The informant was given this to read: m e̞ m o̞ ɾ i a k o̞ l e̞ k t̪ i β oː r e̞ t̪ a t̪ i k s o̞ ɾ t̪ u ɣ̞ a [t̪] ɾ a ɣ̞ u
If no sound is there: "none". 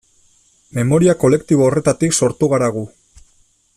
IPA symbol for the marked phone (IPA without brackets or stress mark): none